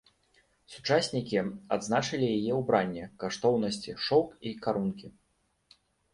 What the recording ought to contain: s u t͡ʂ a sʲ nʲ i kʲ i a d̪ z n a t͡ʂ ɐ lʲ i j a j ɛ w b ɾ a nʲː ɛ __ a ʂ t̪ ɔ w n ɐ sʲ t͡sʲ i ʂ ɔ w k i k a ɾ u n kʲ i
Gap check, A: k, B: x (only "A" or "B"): A